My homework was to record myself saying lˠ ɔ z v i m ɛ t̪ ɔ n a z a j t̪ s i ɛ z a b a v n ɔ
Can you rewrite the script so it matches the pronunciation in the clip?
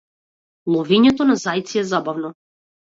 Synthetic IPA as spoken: lˠ ɔ v i ɲ ɛ t̪ ɔ n a z a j t̪ s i ɛ z a b a v n ɔ